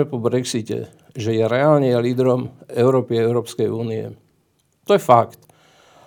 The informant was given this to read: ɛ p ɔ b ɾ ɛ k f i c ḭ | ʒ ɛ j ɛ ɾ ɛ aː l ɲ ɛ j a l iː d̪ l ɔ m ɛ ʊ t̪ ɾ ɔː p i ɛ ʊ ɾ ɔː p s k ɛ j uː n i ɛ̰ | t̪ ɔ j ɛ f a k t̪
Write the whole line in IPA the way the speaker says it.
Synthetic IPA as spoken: ɛ p ɔ b ɾ ɛ k s i c ɛ̰ | ʒ ɛ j ɛ ɾ ɛ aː l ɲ ɛ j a l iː d̪ ɾ ɔ m ɛ ʊ ɾ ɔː p i ɛ ʊ ɾ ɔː p s k ɛ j uː n i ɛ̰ | t̪ ɔ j ɛ f a k t̪